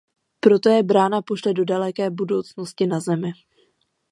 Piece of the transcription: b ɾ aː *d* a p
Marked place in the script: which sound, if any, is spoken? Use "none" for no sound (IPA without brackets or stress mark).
n